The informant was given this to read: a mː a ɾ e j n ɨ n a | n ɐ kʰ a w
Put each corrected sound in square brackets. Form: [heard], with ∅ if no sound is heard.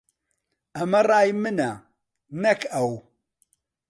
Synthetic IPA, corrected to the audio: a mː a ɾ [a] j [m] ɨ n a | n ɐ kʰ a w